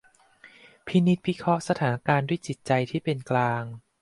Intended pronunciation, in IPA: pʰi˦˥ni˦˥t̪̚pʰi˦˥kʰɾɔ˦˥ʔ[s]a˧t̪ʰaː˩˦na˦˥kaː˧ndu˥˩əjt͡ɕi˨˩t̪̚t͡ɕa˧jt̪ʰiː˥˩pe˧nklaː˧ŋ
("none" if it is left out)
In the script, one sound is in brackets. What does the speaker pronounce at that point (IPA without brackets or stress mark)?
s